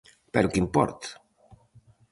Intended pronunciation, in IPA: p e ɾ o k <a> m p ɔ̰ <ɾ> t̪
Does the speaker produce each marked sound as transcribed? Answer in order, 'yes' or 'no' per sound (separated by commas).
no, yes